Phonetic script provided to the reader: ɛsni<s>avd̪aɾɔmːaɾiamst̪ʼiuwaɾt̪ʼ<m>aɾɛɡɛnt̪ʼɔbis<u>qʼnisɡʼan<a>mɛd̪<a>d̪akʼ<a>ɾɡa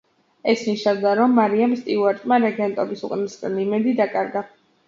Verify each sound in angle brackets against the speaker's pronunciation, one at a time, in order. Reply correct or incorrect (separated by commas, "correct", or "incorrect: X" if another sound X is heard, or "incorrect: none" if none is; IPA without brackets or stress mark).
incorrect: ʃ, correct, correct, incorrect: i, incorrect: i, correct